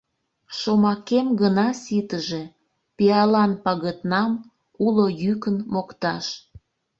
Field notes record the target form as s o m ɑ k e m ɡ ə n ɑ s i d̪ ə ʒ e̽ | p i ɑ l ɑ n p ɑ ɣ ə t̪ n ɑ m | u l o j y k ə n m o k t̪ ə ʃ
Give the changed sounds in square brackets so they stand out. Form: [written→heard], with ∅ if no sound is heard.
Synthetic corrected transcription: [s→ʃ] o m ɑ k e m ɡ ə n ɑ s i [d̪→t̪] ə ʒ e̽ | p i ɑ l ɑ n p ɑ ɣ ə t̪ n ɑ m | u l o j y k ə n m o k t̪ [ə→ɑ] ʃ